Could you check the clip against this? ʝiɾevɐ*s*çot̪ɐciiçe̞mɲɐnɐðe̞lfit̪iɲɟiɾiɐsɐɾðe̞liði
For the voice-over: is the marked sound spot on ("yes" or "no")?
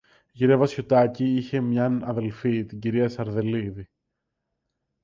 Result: yes